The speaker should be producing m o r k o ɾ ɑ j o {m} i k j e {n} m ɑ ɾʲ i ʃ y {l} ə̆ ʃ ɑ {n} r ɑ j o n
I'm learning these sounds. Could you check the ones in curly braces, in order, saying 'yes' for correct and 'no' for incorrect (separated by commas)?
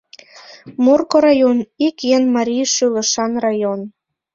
no, yes, yes, yes